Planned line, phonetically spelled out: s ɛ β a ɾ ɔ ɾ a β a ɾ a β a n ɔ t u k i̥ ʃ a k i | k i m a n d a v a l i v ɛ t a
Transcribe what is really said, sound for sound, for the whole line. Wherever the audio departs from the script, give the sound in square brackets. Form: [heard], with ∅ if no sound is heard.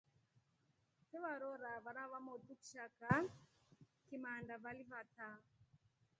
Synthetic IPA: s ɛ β a ɾ ɔ ɾ a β a ɾ a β a [m] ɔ t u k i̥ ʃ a k [a] | k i m a n d a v a l i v [a] t a